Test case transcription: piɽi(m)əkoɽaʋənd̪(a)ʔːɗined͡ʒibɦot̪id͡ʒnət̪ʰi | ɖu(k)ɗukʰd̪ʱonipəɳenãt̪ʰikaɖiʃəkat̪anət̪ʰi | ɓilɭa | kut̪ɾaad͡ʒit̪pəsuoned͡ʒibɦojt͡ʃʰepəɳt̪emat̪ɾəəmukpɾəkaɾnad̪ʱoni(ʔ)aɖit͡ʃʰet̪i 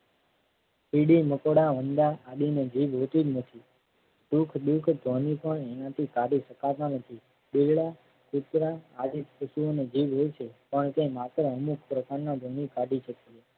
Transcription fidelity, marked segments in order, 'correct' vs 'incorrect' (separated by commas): correct, correct, incorrect, incorrect